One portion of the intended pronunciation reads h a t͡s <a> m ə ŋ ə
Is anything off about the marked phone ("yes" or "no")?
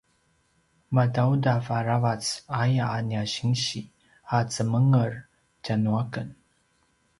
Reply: yes